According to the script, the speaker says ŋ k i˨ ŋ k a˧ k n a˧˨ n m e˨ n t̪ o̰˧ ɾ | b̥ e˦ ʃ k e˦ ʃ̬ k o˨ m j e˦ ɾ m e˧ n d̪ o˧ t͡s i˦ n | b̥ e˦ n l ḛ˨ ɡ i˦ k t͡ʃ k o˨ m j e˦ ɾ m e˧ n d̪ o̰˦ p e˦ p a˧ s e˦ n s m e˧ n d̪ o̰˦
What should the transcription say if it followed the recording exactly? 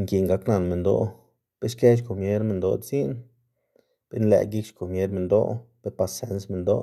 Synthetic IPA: ŋ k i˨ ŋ ɡ a˧ k n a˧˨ n m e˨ n d̪ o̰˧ | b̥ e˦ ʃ k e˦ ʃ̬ k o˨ m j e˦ ɾ m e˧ n d̪ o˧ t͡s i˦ n | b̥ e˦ n l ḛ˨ ɡ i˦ k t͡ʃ k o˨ m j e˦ ɾ m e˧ n d̪ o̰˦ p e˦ p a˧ s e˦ n s m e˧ n d̪ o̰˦

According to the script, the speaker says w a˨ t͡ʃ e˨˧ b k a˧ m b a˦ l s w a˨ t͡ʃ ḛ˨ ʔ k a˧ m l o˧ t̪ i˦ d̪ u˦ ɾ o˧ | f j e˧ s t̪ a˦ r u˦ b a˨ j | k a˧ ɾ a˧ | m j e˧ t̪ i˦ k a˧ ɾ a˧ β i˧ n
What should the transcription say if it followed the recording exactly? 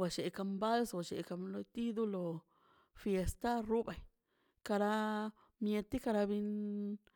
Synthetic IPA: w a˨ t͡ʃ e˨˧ k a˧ m b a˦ l s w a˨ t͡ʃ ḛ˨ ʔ k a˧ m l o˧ t̪ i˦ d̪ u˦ l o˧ | f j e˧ s t̪ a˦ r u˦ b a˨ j | k a˧ ɾ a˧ | m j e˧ t̪ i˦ k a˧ ɾ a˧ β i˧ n

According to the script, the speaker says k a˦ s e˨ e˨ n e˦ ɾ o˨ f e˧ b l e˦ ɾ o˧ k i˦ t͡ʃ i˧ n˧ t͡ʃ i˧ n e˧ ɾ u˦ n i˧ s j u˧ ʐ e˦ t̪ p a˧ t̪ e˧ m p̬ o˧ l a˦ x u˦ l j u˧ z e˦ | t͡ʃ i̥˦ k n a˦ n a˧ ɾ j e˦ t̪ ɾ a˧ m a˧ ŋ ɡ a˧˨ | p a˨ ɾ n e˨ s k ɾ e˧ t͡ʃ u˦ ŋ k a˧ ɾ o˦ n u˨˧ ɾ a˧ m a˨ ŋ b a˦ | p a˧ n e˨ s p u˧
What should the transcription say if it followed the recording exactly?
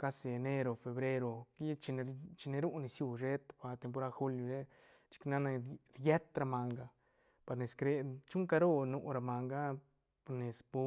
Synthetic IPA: k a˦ s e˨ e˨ n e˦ ɾ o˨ f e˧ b ɾ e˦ ɾ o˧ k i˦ t͡ʃ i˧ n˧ t͡ʃ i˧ n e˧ ɾ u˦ n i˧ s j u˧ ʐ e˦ t̪ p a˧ t̪ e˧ m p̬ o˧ ɾ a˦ x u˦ l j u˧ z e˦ | t͡ʃ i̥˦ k n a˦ n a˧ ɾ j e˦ t̪ ɾ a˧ m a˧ ŋ ɡ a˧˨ | p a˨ ɾ n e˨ s k ɾ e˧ t͡ʃ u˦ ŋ k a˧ ɾ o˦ n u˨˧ ɾ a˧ m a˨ ŋ ɡ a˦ | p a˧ n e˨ s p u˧

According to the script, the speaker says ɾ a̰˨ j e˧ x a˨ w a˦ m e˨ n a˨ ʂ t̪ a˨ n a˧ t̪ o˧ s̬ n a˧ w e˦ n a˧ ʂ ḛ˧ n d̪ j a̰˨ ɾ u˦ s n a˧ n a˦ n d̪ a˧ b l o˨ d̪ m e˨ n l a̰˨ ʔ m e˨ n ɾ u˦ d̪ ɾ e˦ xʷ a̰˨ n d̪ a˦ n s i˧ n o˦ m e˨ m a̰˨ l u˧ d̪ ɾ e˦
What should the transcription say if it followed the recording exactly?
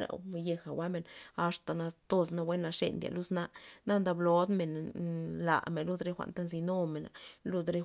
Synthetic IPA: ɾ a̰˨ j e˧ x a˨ w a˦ m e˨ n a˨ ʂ t̪ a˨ n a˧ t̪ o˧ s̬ n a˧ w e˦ n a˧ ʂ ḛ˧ n d̪ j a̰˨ l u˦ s n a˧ n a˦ n d̪ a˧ b l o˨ d̪ m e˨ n l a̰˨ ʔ m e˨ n l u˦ d̪ ɾ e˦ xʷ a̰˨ n t̪ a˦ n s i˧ n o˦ m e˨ n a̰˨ l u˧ d̪ ɾ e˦

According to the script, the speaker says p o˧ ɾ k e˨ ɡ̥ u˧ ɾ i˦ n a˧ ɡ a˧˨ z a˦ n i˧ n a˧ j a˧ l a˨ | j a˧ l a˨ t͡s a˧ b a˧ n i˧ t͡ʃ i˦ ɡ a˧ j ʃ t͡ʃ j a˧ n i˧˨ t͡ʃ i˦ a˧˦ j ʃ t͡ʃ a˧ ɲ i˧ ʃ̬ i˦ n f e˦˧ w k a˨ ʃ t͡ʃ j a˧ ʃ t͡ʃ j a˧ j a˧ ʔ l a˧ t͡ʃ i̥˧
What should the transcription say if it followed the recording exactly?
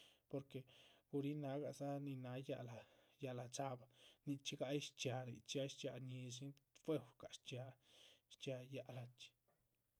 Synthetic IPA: p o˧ ɾ k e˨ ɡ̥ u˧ ɾ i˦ n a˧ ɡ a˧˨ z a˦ n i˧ n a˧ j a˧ l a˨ | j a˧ l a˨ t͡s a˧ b a˧ n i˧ t͡ʃ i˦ ɡ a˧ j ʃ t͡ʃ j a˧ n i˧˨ t͡ʃ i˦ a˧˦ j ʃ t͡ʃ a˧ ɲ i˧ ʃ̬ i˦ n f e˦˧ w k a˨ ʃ t͡ʃ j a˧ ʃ t͡ʃ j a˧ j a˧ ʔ l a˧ t͡ʃ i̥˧

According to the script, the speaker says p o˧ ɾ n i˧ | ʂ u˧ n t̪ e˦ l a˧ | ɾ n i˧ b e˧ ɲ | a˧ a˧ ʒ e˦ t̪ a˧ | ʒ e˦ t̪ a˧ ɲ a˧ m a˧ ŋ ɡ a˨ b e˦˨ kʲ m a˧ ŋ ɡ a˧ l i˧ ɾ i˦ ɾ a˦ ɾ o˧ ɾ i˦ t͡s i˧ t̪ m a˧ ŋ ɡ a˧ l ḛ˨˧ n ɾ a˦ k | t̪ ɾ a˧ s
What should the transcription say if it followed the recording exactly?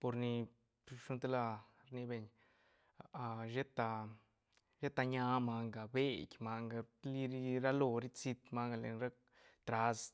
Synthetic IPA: p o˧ ɾ n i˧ | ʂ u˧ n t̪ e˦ l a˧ | ɾ n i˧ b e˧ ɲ | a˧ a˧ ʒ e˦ t̪ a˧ | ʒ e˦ t̪ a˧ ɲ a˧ m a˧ ŋ ɡ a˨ b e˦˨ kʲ m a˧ ŋ ɡ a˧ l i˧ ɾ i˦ ɾ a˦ l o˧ ɾ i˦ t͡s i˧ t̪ m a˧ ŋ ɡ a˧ l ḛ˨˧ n ɾ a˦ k | t̪ ɾ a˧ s

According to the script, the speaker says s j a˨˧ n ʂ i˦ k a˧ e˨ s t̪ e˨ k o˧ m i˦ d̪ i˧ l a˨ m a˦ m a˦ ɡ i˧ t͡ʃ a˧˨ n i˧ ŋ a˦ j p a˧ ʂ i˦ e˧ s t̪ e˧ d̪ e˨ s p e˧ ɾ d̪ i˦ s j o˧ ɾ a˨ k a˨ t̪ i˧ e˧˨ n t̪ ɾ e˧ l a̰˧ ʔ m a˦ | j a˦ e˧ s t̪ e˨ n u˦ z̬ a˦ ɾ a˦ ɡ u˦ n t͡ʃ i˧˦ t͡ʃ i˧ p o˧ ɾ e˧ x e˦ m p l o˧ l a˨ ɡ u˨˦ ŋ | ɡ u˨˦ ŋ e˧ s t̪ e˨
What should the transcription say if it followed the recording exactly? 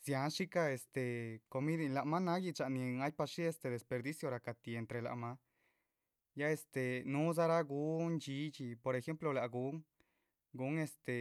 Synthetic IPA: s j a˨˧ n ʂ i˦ k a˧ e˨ s t̪ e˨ k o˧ m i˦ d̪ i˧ l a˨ m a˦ n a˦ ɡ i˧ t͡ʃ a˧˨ n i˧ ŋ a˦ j p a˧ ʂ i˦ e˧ s t̪ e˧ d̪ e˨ s p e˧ ɾ d̪ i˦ s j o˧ ɾ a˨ k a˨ t̪ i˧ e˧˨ n t̪ ɾ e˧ l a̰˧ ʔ m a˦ | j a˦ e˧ s t̪ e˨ n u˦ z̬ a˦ ɾ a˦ ɡ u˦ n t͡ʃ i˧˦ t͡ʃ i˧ p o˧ ɾ e˧ x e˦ m p l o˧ l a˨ ɡ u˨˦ ŋ | ɡ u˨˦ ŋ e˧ s t̪ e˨

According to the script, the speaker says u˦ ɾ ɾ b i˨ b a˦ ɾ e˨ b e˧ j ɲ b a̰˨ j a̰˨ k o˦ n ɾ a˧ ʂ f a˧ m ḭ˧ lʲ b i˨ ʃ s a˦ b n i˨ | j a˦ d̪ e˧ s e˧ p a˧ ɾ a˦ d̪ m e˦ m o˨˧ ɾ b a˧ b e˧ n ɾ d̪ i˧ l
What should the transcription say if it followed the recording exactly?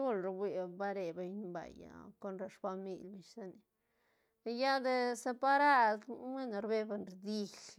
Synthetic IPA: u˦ l ɾ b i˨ b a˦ ɾ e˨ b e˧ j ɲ b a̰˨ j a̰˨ k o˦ n ɾ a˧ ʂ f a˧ m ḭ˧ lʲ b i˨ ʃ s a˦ n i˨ | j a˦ d̪ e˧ s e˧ p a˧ ɾ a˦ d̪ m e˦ n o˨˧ ɾ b e˧ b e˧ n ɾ d̪ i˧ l

